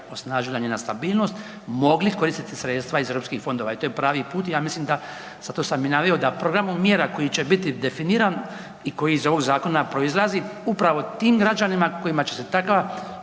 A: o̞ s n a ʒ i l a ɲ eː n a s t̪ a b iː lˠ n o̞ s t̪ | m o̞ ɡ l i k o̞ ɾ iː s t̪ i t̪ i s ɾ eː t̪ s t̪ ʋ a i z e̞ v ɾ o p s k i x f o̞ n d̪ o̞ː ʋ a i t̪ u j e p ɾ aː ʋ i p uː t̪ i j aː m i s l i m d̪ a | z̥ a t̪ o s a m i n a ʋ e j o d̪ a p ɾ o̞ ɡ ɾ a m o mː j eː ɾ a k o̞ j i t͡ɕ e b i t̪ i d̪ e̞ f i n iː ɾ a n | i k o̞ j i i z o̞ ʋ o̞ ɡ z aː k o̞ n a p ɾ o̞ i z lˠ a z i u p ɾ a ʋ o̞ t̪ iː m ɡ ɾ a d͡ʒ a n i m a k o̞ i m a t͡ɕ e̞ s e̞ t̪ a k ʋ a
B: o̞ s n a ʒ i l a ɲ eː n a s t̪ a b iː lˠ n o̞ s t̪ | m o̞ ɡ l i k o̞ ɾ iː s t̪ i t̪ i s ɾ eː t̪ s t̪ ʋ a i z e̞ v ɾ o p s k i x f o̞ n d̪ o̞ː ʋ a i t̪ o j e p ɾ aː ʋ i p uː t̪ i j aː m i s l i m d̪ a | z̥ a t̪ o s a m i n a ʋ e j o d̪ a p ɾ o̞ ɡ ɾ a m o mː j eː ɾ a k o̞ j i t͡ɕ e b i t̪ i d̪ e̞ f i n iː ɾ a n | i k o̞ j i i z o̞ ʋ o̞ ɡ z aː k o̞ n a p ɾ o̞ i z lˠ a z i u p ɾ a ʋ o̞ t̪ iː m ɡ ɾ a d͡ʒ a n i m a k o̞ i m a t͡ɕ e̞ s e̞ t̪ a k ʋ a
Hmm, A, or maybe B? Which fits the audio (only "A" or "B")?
B